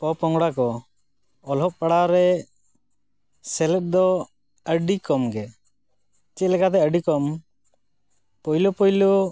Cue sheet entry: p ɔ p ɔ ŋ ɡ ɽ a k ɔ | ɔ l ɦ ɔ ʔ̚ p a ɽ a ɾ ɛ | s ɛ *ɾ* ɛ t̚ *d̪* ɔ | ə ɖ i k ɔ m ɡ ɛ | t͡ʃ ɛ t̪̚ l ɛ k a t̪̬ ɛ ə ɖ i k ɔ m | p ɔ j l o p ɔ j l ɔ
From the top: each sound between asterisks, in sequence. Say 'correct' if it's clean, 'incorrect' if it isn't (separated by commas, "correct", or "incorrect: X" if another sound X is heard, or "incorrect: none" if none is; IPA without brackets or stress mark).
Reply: incorrect: l, correct